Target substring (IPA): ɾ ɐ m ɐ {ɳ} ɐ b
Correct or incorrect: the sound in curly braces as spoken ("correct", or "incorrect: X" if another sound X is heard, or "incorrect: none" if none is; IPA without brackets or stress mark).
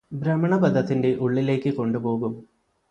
correct